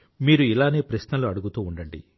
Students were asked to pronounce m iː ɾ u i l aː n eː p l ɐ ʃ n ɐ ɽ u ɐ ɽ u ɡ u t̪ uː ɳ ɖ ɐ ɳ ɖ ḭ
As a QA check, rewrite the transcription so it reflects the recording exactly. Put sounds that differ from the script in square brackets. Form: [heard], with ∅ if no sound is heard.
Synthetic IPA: m iː ɾ u i l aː n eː p [ɾ] ɐ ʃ n ɐ [l] u ɐ ɽ u ɡ u t̪ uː ɳ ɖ ɐ ɳ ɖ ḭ